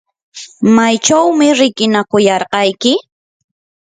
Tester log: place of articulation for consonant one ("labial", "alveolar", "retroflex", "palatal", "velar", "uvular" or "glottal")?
labial